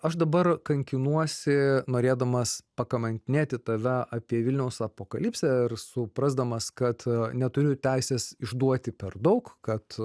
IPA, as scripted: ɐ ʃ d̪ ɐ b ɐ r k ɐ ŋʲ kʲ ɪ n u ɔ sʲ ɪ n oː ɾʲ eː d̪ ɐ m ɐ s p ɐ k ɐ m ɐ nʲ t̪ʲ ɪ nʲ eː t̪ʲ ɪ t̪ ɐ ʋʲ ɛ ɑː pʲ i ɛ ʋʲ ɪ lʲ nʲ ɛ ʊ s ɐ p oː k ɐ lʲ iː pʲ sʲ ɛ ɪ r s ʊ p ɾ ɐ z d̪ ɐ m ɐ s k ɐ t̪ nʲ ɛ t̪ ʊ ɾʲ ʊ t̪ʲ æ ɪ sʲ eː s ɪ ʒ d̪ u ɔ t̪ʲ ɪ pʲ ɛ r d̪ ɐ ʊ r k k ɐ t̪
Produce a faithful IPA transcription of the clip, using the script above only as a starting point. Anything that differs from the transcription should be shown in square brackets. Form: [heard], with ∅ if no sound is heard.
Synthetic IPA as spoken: ɐ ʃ d̪ ɐ b ɐ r k ɐ ŋʲ kʲ ɪ n u ɔ sʲ ɪ n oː ɾʲ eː d̪ ɐ m ɐ s p ɐ k ɐ m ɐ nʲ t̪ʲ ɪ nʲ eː t̪ʲ ɪ t̪ ɐ ʋʲ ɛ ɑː pʲ i ɛ ʋʲ ɪ lʲ nʲ ɛ ʊ s ɐ p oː k ɐ lʲ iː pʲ sʲ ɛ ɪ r s ʊ p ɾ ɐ z d̪ ɐ m ɐ s k ɐ t̪ nʲ ɛ t̪ ʊ ɾʲ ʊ t̪ʲ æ ɪ sʲ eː s ɪ ʒ d̪ u ɔ t̪ʲ ɪ pʲ ɛ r d̪ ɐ ʊ [∅] k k ɐ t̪